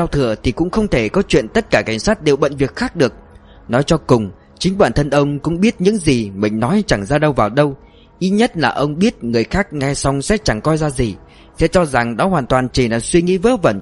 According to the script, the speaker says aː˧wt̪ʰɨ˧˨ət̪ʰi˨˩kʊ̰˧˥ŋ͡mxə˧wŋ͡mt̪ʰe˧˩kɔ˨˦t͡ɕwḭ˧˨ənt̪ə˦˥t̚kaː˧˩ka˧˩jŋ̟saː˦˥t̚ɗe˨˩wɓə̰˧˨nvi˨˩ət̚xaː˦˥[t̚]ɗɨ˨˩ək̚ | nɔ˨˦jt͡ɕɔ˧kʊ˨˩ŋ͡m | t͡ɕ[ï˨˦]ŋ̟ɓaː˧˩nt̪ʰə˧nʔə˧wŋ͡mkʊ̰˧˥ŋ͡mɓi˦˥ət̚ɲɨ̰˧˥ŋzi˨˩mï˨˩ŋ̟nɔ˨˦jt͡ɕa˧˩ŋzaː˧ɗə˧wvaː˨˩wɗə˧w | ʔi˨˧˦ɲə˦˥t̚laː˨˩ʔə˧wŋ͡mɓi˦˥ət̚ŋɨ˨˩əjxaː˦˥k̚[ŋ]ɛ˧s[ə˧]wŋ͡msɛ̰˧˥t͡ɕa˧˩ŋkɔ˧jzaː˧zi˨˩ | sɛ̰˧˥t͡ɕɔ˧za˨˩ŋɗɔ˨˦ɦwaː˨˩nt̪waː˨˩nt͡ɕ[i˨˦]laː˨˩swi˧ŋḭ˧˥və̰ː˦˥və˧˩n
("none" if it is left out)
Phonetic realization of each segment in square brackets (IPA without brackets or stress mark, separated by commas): k̚, ï˨˦, ŋ, a˧, i˨˩